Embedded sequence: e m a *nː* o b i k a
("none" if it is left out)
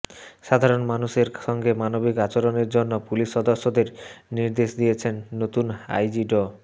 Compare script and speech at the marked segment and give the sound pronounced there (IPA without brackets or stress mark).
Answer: n